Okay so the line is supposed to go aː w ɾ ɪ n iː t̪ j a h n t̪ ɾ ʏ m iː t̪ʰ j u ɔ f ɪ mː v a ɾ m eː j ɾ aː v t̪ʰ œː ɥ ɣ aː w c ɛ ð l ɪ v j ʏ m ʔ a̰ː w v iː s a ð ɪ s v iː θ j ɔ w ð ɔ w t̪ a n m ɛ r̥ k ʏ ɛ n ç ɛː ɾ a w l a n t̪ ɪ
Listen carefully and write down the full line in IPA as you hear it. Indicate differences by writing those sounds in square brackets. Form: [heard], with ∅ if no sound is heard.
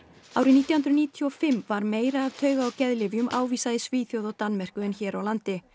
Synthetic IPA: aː w ɾ ɪ n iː t̪ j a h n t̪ ɾ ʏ [n] iː t̪ʰ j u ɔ f ɪ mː v a ɾ m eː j ɾ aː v t̪ʰ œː ɥ ɣ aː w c ɛ ð l ɪ v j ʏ m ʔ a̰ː w v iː s a ð ɪ s v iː θ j [o] w ð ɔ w t̪ a n m ɛ r̥ k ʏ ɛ n ç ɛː ɾ a w l a n t̪ ɪ